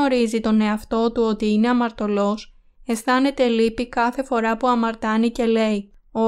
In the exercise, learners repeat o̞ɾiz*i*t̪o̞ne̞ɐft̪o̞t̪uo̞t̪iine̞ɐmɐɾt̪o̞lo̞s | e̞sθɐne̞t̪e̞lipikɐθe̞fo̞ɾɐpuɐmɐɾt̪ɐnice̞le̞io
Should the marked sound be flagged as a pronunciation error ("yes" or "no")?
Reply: no